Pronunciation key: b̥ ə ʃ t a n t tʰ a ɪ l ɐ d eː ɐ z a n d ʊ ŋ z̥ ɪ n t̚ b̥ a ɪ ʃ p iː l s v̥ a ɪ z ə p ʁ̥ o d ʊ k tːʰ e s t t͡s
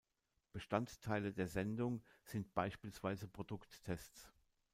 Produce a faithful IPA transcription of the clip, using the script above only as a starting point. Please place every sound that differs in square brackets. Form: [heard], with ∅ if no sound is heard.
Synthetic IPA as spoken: b̥ ə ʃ t a n t tʰ a ɪ l [ə] d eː ɐ z [ɛ] n d ʊ ŋ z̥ ɪ n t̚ b̥ a ɪ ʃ p iː l s v̥ a ɪ z ə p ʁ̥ o d ʊ k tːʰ [ɛ] s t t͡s

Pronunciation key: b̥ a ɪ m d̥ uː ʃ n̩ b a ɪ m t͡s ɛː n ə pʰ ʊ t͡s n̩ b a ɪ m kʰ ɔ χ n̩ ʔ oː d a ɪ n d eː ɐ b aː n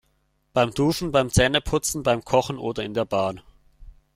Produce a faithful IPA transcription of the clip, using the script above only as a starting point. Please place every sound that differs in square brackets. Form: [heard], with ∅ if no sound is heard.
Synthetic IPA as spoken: b̥ a ɪ m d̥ uː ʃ n̩ b a ɪ m t͡s ɛː n ə pʰ ʊ t͡s n̩ b a ɪ m kʰ ɔ χ n̩ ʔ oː d [ɐ] ɪ n d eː ɐ b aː n

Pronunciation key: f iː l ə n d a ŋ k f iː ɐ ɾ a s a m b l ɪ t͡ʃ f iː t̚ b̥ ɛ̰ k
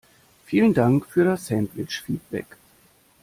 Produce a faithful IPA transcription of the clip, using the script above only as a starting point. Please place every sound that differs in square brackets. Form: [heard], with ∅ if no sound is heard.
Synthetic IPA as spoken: f iː l ə n d a ŋ k f [yː] ɐ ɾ a s [ɛ] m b l ɪ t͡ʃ f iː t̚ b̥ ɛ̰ k

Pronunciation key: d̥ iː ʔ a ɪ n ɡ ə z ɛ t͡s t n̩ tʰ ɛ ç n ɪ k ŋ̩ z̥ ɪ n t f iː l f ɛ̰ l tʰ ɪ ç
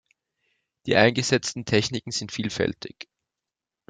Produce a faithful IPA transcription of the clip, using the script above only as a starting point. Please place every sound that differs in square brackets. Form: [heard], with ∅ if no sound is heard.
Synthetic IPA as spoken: d̥ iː ʔ a ɪ n ɡ ə z ɛ t͡s t n̩ tʰ ɛ ç n ɪ k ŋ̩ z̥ ɪ n t f iː l f ɛ̰ l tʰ ɪ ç

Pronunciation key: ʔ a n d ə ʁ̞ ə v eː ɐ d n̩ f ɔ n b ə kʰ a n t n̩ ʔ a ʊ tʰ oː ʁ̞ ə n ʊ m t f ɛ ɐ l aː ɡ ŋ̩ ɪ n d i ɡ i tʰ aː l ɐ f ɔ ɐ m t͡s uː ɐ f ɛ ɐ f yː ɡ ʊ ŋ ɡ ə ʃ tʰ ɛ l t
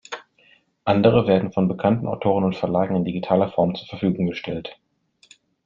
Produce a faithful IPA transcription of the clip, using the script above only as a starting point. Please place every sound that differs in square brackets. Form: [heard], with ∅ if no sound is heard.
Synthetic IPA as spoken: ʔ a n d ə ʁ̞ ə v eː ɐ d n̩ f ɔ n b ə kʰ a n t n̩ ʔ a ʊ tʰ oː ʁ̞ ə n ʊ [n] t f ɛ ɐ l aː ɡ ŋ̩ ɪ n d i ɡ i tʰ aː l ɐ f ɔ ɐ m t͡s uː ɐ f ɛ ɐ f yː ɡ ʊ ŋ ɡ ə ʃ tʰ ɛ l t

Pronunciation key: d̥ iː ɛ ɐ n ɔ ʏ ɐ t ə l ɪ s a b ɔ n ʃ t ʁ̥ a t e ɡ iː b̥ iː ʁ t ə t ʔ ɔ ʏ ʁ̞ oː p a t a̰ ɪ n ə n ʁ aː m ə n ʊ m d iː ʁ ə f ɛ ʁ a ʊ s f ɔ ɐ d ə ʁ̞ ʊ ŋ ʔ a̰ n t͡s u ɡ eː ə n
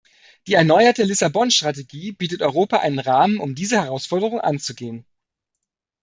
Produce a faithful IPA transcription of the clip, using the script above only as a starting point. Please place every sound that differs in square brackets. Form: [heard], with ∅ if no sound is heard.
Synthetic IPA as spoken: d̥ iː ɛ ɐ n ɔ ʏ ɐ t ə l ɪ s a b ɔ n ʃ t ʁ̥ a t e ɡ iː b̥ iː [∅] t ə t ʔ ɔ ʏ ʁ̞ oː p a [ʔ] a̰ ɪ n ə n ʁ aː m ə n ʊ m d iː [z] ə [h] ɛ ʁ a ʊ s f ɔ ɐ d ə ʁ̞ ʊ ŋ ʔ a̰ n t͡s u ɡ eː ə n

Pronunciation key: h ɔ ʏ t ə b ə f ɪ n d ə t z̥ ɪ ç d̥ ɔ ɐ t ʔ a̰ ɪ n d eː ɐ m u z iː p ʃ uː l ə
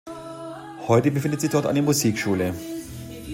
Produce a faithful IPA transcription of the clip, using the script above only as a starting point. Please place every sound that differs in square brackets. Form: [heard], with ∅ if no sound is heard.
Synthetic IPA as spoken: h ɔ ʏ t ə b ə f ɪ n d ə t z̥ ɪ ç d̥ ɔ ɐ t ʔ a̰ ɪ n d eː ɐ m u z iː [k] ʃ uː l ə

